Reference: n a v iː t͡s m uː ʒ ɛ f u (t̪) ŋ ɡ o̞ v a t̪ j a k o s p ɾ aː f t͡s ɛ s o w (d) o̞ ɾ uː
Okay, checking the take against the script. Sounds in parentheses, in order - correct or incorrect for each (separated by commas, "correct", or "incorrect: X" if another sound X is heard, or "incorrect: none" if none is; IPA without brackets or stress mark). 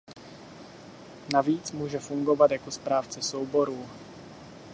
incorrect: none, incorrect: b